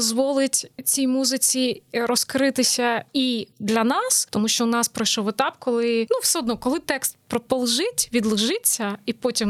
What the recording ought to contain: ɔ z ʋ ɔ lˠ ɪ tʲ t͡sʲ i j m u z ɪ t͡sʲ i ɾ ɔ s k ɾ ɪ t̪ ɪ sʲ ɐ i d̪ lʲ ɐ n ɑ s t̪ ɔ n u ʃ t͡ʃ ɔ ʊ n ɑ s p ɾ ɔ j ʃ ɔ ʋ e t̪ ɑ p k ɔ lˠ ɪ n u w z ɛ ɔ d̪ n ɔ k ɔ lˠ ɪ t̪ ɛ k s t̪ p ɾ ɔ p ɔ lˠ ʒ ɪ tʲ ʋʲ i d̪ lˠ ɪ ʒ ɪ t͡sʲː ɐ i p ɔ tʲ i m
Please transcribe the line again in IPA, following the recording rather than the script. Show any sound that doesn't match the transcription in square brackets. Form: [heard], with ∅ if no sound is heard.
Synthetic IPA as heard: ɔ z ʋ ɔ lˠ ɪ tʲ t͡sʲ i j m u z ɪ t͡sʲ i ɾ ɔ s k ɾ ɪ t̪ ɪ sʲ ɐ i d̪ lʲ ɐ n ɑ s t̪ ɔ [m] u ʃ t͡ʃ ɔ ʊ n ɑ s p ɾ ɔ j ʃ ɔ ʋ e t̪ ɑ p k ɔ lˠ ɪ n u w [s] ɛ ɔ d̪ n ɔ k ɔ lˠ ɪ t̪ ɛ k s t̪ p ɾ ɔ p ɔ lˠ ʒ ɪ tʲ ʋʲ i d̪ lˠ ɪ ʒ ɪ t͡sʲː ɐ i p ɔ tʲ i m